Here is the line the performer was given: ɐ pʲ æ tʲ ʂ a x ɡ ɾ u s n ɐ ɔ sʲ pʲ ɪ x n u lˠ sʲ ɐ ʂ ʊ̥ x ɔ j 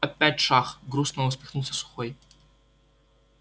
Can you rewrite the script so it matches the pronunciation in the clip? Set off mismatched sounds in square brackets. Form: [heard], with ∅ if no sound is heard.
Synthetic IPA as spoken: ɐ pʲ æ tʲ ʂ a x ɡ ɾ u s n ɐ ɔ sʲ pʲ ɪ x n u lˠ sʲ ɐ [s] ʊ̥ x ɔ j